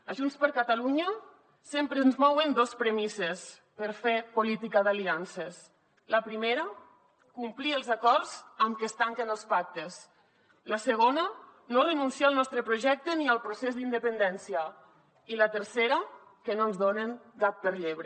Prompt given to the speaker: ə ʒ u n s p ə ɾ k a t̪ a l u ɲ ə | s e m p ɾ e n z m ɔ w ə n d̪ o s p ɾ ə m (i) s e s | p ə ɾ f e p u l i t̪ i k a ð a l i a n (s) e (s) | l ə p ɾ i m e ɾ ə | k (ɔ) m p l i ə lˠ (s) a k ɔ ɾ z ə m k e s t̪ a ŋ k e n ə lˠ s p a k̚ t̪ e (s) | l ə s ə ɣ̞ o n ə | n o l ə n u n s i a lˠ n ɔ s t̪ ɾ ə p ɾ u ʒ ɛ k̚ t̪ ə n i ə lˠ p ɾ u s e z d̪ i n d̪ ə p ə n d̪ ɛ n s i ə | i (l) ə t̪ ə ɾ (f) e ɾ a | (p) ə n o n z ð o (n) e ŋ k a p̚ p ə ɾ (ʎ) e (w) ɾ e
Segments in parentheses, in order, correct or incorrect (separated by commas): correct, correct, correct, incorrect, incorrect, correct, correct, incorrect, incorrect, correct, correct, incorrect